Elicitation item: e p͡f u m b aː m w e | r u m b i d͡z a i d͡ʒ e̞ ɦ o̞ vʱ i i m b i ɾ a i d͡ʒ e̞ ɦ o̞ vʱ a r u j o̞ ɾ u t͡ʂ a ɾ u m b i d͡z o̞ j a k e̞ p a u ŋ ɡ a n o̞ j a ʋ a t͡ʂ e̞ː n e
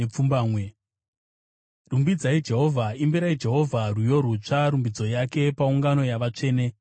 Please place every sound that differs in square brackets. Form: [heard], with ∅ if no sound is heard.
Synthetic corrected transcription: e p͡f u m b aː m w e | r u m b i d͡z a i d͡ʒ e̞ ɦ o̞ vʱ [a] i m b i ɾ a i d͡ʒ e̞ ɦ o̞ vʱ a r u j o̞ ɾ u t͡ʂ a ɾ u m b i d͡z o̞ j a k e̞ p a u ŋ ɡ a n o̞ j a ʋ a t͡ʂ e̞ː n e